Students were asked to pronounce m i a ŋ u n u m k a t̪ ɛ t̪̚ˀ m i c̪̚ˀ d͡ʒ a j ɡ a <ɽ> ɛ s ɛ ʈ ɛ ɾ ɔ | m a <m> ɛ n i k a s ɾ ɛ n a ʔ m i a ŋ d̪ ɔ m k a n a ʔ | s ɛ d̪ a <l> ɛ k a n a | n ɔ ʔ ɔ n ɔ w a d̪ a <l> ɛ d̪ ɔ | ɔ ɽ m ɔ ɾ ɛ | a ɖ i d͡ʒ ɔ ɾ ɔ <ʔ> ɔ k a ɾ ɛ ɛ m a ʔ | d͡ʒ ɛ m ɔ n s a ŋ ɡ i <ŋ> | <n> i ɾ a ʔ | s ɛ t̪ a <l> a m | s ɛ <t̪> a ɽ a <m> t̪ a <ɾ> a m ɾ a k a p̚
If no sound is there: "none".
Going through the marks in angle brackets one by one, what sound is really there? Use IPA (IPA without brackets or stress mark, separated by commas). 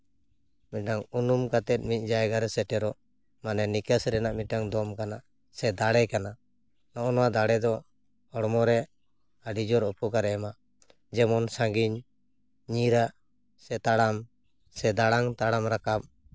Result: ɾ, n, ɽ, ɽ, p, ɲ, ɲ, ɽ, d̪, ŋ, ɽ